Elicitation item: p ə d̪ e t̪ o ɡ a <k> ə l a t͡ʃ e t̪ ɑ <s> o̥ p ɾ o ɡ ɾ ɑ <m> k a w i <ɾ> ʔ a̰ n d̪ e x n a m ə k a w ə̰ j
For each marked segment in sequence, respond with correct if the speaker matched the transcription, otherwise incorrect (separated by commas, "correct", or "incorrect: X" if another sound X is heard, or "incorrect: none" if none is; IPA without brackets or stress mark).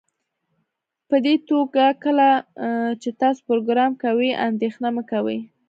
correct, correct, correct, incorrect: none